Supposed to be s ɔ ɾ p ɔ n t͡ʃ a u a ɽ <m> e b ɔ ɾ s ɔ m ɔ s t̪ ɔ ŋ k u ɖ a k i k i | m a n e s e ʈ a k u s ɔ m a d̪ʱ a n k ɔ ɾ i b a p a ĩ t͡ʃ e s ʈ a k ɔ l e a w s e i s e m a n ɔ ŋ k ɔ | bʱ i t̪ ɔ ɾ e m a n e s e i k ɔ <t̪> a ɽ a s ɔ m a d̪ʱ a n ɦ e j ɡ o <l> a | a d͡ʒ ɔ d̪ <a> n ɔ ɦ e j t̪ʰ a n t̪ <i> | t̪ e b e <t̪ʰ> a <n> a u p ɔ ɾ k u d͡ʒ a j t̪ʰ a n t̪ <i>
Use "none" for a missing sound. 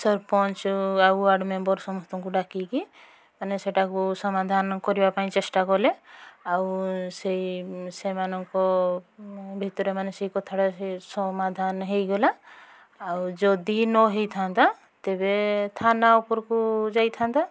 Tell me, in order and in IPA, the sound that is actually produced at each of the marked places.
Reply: m, t̪ʰ, l, i, a, t̪ʰ, n, a

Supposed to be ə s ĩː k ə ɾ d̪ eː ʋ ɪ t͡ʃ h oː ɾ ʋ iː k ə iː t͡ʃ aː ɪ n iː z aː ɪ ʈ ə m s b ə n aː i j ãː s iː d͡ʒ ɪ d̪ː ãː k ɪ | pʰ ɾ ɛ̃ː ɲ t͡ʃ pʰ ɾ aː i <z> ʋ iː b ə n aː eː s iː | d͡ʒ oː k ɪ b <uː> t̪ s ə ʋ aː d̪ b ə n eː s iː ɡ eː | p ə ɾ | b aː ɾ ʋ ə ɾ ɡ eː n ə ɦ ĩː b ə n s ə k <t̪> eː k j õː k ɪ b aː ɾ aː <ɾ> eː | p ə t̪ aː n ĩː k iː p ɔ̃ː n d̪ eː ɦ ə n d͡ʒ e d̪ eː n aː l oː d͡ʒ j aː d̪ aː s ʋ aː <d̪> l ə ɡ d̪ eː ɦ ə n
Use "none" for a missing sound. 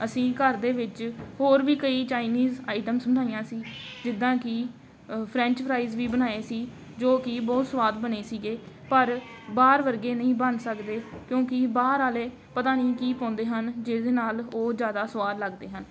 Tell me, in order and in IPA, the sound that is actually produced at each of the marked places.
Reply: z, ɔː, d̪, l, d̪

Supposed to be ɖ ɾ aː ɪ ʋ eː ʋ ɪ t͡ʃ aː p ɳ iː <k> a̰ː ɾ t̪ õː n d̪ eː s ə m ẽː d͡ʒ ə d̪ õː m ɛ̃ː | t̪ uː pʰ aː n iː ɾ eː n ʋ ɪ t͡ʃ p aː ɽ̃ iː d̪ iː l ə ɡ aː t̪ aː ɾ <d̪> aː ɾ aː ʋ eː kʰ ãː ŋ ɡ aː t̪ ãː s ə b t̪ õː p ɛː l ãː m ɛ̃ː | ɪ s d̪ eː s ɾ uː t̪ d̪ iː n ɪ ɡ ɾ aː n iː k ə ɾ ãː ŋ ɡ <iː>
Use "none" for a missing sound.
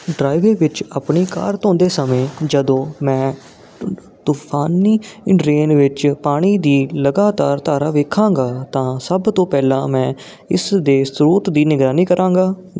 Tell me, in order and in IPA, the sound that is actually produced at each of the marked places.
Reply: k, t̪, aː

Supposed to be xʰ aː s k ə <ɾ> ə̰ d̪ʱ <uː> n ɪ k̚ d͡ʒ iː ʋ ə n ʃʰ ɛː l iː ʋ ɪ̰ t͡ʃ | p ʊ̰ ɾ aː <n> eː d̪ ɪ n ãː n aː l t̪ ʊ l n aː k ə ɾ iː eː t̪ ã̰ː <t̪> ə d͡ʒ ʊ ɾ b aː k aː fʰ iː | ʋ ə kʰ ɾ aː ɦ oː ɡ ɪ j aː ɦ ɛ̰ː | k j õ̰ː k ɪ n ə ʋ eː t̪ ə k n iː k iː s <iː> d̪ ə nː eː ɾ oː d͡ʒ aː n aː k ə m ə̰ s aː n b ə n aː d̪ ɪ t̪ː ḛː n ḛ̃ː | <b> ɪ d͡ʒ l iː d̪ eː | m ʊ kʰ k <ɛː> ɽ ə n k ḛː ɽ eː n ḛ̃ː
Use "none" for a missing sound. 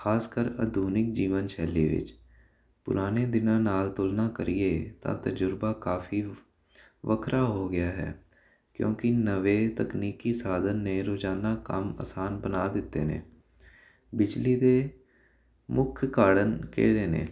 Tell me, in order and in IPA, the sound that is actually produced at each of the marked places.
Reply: ɾ, uː, n, t̪, aː, b, aː

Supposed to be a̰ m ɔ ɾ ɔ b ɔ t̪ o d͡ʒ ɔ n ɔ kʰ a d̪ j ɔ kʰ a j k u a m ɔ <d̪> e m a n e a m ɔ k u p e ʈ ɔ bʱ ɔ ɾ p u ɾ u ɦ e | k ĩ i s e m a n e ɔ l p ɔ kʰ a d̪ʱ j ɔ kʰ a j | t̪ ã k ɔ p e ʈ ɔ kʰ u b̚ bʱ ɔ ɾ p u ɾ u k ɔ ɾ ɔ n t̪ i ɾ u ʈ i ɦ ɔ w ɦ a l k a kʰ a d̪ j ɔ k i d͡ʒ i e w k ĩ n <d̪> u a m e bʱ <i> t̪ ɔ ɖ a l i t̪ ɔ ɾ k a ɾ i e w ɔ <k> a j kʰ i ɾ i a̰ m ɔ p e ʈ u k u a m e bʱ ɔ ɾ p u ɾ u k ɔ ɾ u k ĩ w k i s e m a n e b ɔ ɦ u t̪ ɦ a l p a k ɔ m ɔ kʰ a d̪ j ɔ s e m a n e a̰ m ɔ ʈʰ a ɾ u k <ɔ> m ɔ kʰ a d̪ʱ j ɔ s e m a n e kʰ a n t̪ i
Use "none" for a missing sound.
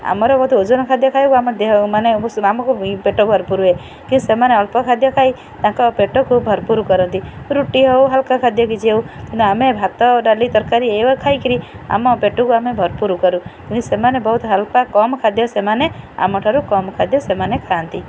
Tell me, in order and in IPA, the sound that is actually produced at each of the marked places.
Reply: d̪, t̪, a, kʰ, ɔ

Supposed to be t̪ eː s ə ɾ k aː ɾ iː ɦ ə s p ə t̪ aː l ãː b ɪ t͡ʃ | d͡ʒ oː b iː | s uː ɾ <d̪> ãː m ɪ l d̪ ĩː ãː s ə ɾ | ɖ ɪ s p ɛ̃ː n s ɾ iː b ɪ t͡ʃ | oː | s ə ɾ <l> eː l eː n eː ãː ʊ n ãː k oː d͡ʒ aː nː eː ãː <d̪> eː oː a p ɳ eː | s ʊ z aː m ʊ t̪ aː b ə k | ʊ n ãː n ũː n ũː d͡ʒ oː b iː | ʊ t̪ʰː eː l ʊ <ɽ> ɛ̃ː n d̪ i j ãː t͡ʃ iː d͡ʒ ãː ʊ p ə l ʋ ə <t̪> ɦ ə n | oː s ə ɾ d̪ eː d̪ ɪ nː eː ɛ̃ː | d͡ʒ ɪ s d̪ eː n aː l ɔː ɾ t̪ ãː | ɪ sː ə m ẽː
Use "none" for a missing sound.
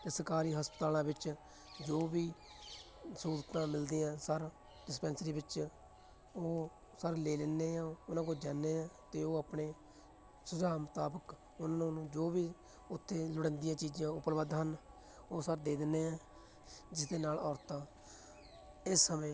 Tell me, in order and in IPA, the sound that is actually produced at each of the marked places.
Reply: t̪, l, t̪, ɽ, d̪

